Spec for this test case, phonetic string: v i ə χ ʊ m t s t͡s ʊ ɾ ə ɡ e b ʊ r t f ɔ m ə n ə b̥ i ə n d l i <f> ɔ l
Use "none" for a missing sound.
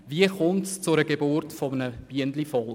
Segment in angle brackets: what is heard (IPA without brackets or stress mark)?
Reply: f